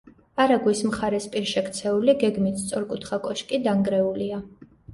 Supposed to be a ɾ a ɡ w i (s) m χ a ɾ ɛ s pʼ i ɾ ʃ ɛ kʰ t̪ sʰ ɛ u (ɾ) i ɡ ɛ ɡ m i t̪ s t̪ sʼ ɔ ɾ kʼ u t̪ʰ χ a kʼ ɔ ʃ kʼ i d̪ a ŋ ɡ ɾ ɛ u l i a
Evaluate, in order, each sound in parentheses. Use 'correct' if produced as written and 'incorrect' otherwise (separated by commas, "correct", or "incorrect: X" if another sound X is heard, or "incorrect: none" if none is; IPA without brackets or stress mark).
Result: correct, incorrect: l